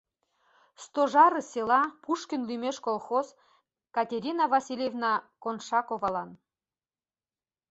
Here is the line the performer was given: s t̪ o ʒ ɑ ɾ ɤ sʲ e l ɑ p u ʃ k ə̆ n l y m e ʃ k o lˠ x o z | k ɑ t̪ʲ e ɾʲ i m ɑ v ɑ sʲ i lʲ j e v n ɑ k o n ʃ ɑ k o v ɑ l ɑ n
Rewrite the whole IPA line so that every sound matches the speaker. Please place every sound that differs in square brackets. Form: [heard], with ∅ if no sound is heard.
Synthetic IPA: s t̪ o ʒ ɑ ɾ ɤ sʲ e l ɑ p u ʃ k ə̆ n l y m e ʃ k o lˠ x o z | k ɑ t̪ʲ e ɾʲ i [n] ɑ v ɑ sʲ i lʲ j e v n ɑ k o n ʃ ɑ k o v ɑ l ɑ n